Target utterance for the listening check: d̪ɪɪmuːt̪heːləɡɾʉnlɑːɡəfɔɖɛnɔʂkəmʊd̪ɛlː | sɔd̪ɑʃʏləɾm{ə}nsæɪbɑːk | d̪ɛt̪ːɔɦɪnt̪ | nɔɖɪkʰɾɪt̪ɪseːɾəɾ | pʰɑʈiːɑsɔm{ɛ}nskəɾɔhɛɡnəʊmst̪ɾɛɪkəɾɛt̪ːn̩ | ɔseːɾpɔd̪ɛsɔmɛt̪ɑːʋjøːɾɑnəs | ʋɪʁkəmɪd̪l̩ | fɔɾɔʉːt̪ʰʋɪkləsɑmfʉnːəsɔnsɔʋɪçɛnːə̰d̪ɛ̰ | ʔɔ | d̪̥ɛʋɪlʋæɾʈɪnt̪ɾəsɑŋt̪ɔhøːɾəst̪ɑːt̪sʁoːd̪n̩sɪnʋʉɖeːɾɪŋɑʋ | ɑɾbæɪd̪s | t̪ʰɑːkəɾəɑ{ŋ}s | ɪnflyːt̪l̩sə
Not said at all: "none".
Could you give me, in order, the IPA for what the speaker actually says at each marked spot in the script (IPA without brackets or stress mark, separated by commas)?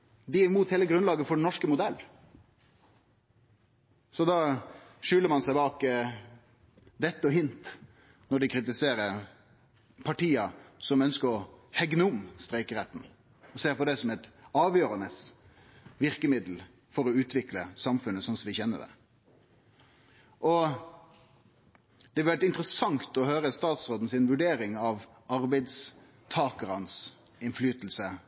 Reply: ɑ, œ, n